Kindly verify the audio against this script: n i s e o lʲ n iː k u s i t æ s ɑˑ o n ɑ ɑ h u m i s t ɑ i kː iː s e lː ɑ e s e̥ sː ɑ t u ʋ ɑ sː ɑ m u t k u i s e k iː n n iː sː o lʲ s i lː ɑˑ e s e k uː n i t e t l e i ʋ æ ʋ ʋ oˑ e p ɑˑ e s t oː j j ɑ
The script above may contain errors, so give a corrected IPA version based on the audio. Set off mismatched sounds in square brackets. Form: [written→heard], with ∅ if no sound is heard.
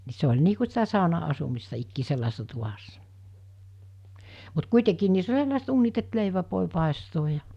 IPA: n i s e o lʲ n iː k u s i t æ s ɑˑ o n ɑ ɑ [h→s] u m i s t ɑ i kː iː s e lː ɑ e s e̥ sː ɑ t u ʋ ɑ sː ɑ m u t k u i [s→t] e k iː n n iː sː o lʲ s [i→e] lː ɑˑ e s e [k→t] uː n i t e t l e i ʋ æ ʋ ʋ oˑ e p ɑˑ e s t oː j j ɑ